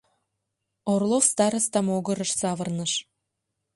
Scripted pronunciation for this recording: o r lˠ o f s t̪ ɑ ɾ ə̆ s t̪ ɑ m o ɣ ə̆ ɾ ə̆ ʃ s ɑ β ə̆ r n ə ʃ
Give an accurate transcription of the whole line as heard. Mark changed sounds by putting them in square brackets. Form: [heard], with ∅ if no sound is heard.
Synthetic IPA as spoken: o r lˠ o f s t̪ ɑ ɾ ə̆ s t̪ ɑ m o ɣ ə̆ ɾ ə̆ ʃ s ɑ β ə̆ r n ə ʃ